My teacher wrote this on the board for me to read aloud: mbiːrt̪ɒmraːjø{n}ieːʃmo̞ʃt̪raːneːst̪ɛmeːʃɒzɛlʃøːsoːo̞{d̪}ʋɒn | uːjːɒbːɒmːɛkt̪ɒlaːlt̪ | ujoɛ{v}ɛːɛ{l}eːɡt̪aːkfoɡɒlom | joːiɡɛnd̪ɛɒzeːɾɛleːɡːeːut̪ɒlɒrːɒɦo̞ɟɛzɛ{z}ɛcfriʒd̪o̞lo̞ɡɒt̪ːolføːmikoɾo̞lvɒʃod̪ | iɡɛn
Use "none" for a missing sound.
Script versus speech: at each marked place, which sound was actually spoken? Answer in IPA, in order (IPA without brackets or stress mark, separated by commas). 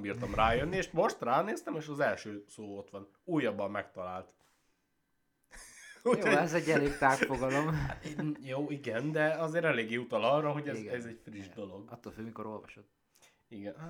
nː, t̪, z, l, z